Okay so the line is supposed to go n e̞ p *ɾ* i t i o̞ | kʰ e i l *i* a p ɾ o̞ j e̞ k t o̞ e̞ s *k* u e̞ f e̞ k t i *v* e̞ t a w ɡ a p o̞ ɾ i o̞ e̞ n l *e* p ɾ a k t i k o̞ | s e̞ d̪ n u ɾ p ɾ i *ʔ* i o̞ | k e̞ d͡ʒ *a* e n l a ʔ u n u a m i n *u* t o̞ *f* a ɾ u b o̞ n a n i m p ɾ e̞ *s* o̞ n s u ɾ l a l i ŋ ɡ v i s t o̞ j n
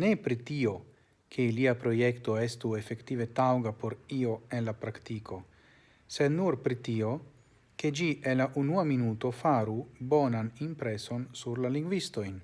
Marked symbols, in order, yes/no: yes, yes, no, yes, no, no, no, yes, yes, yes

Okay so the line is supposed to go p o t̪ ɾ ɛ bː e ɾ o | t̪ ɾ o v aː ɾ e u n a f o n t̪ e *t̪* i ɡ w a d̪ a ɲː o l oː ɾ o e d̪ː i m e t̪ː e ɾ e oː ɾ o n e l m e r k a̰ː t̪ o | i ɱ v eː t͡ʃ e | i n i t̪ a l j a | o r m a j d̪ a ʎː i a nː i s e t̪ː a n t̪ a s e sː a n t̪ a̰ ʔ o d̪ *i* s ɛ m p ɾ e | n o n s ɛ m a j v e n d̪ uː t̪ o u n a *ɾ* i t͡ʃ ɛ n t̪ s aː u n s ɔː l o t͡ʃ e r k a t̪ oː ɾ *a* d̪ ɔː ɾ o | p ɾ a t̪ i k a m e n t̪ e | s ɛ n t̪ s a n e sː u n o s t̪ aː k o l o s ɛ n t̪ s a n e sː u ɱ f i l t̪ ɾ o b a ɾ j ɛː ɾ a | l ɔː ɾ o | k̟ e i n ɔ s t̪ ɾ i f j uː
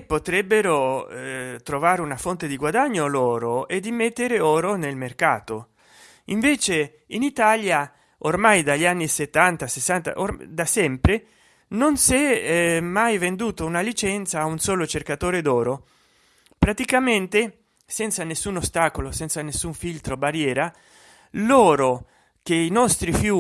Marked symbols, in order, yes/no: no, no, no, no

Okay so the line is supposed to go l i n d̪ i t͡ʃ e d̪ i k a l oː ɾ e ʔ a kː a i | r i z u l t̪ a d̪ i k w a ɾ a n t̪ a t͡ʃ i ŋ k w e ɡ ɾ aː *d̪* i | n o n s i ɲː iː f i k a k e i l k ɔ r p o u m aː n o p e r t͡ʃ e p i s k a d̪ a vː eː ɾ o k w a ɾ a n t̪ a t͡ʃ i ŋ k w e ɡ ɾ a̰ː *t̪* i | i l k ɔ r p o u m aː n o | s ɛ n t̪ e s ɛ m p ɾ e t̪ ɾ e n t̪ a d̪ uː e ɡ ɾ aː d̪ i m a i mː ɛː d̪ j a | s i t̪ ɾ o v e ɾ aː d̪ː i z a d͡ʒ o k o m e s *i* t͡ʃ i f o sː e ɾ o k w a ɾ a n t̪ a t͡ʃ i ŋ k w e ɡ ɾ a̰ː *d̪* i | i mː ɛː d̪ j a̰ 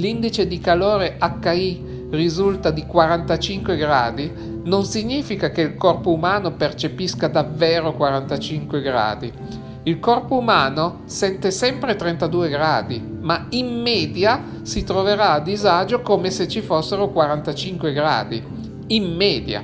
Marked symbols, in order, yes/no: yes, no, no, yes

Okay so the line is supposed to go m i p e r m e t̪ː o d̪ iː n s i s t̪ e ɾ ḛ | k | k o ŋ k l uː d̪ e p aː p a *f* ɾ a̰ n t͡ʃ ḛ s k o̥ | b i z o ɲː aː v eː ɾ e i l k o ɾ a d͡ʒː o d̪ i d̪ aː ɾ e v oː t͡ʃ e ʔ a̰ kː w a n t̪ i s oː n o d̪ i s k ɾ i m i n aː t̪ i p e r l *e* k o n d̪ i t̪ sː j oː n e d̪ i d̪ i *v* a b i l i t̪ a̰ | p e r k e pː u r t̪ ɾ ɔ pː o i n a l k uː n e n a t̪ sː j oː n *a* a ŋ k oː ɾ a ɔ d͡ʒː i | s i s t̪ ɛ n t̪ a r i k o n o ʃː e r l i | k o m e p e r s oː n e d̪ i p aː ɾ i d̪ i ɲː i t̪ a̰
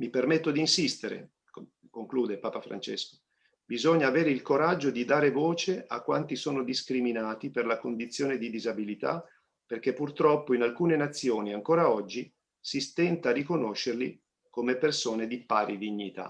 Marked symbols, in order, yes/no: yes, no, no, no

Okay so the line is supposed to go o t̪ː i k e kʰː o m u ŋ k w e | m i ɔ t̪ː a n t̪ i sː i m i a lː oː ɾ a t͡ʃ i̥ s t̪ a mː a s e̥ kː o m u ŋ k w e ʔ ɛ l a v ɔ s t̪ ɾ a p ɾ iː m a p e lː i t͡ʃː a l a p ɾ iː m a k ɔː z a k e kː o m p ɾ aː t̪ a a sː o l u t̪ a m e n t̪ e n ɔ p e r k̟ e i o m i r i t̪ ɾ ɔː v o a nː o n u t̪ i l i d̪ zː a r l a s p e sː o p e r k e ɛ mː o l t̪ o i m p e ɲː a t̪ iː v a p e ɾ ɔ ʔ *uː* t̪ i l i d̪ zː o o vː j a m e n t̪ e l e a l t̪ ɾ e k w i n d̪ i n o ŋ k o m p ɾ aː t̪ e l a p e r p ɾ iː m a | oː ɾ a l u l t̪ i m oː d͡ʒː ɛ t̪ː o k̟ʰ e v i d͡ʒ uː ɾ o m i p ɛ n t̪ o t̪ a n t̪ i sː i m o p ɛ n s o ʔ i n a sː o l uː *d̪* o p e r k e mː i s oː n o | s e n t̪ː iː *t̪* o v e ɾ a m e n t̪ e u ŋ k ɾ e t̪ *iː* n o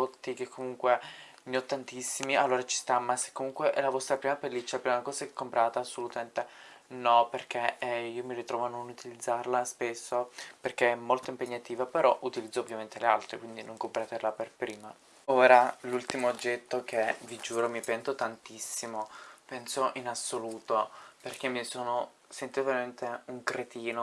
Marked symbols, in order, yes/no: no, no, yes, yes

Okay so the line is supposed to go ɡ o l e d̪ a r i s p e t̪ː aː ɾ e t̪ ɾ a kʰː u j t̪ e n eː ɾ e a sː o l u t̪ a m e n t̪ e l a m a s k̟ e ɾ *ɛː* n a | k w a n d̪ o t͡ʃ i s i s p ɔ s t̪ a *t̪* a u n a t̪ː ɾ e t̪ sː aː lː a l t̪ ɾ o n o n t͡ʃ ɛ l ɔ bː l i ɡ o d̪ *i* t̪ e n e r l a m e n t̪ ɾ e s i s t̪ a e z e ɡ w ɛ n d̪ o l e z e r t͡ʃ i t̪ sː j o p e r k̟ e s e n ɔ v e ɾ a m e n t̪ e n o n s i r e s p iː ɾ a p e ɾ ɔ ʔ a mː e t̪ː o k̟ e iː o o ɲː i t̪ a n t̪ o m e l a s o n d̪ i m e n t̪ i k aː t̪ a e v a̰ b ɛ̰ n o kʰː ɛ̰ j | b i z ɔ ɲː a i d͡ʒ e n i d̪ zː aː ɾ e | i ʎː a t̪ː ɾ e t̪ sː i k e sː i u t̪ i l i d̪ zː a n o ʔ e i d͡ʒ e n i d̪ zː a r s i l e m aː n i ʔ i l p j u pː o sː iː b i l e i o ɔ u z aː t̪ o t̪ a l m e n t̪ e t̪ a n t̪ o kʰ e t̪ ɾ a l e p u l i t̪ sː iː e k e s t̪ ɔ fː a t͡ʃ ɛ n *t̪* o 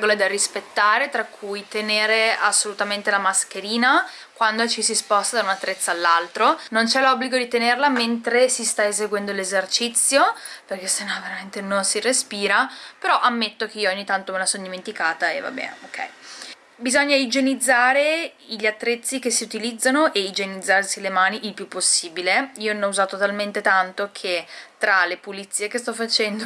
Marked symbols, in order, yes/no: no, no, yes, no

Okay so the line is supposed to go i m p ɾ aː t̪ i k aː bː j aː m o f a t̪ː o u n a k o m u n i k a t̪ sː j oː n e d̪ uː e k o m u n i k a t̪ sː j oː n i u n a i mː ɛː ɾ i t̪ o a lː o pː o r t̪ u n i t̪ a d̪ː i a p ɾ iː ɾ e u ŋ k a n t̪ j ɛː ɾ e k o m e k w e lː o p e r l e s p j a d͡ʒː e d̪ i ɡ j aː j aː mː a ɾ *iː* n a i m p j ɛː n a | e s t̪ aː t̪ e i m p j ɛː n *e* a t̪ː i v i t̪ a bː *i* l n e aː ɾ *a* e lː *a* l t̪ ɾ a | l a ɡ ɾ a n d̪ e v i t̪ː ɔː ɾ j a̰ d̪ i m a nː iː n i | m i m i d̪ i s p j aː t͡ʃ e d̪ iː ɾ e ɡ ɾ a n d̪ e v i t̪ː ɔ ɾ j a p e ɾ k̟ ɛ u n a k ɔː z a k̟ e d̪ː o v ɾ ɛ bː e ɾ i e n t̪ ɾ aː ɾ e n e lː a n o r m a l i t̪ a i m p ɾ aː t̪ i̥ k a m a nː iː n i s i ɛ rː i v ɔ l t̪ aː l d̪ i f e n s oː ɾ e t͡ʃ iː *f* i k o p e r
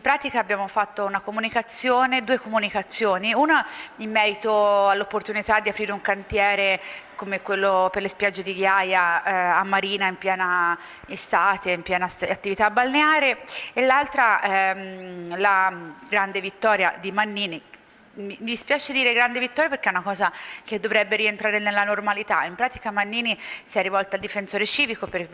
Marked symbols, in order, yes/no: yes, no, no, no, yes, no

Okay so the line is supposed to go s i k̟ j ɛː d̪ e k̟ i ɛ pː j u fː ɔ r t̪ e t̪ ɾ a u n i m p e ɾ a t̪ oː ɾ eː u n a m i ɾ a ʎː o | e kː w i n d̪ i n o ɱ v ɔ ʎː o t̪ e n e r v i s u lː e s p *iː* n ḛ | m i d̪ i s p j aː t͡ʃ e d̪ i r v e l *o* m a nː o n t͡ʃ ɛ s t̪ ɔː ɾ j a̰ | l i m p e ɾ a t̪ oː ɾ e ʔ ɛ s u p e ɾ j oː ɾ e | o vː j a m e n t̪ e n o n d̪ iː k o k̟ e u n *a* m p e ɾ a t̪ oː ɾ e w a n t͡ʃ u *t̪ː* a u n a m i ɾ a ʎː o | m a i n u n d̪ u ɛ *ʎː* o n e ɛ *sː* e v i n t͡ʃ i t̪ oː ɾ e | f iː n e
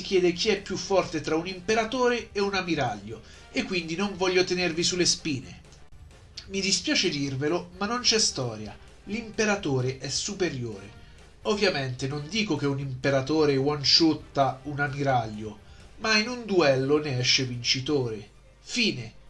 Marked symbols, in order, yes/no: yes, yes, no, yes, no, no

